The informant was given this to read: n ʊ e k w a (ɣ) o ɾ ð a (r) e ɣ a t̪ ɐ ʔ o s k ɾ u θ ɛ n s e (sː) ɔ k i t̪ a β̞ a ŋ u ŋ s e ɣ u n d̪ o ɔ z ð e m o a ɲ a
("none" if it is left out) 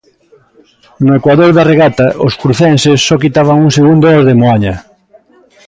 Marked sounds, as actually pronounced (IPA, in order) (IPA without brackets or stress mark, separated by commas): ð, r, sː